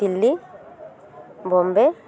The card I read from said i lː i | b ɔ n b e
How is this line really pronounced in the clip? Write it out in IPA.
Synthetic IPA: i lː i | b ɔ m b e